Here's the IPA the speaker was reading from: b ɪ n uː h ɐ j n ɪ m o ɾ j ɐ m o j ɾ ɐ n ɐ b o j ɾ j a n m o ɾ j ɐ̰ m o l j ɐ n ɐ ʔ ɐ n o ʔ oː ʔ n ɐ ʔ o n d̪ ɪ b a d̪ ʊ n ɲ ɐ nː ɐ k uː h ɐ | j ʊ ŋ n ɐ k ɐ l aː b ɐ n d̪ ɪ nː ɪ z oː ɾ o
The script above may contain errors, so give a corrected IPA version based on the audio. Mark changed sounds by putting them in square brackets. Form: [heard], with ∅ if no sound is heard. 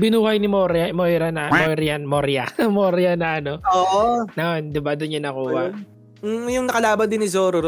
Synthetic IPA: b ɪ n uː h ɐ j n ɪ m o ɾ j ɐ m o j ɾ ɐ n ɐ [m] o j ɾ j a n m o ɾ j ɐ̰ m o [ɾ] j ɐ n ɐ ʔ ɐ n o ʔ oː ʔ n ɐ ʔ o n d̪ ɪ b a d̪ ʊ n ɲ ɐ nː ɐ k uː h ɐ | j ʊ ŋ n ɐ k ɐ l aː b ɐ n d̪ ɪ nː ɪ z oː ɾ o